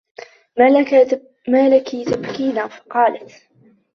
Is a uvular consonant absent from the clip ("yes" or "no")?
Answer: no